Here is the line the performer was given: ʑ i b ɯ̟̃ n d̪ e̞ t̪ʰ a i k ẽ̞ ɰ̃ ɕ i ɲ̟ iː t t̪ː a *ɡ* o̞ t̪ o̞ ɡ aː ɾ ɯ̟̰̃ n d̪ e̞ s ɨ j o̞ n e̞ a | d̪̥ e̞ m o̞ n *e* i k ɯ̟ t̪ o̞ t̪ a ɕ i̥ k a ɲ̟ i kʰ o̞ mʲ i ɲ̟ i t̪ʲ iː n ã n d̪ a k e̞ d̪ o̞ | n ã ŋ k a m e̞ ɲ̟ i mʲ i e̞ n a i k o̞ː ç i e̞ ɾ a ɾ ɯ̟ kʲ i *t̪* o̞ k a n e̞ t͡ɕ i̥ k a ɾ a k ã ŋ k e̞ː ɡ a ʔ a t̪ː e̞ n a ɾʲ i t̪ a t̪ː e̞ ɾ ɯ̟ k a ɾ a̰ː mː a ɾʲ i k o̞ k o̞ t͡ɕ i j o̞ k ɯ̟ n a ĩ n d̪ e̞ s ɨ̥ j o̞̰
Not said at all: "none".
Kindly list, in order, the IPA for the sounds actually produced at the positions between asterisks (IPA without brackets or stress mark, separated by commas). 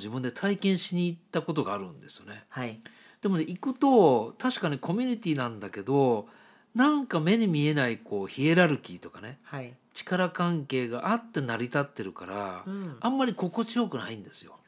k, e, t̪